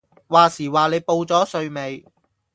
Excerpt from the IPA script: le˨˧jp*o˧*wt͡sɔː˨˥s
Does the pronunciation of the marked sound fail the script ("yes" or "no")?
no